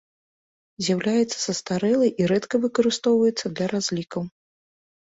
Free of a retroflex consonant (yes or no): yes